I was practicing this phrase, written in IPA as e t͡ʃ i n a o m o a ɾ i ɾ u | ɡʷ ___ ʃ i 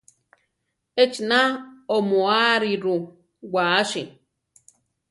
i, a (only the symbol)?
a